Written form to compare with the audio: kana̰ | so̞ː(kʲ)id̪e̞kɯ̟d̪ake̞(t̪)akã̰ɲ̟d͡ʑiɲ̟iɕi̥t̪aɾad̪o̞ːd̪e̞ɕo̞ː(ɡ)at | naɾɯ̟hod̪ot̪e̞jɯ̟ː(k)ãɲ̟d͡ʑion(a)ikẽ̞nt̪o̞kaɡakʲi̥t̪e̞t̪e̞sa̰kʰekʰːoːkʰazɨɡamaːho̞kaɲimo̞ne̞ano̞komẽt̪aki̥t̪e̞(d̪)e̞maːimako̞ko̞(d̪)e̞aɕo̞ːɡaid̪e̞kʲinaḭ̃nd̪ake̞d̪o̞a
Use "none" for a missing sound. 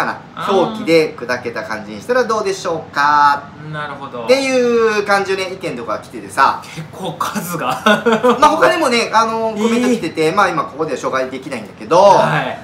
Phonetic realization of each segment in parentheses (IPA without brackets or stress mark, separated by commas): kʲ, t̪, k, k, e, t̪, d̪